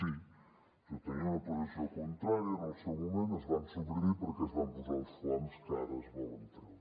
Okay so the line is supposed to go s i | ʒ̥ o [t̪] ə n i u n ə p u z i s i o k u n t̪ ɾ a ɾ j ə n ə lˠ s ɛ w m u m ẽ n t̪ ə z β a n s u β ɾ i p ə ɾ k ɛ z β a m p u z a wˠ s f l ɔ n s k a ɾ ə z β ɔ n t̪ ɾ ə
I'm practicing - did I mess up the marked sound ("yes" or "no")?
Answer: no